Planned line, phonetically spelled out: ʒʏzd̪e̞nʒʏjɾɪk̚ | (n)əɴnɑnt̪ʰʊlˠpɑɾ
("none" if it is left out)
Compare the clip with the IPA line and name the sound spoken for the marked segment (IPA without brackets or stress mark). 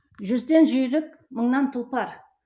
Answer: m